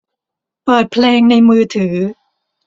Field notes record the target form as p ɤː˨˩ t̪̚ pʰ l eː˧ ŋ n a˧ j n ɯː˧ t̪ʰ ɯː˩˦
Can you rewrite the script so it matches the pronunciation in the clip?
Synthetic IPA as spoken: p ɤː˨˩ t̪̚ pʰ l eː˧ ŋ n a˧ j m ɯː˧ t̪ʰ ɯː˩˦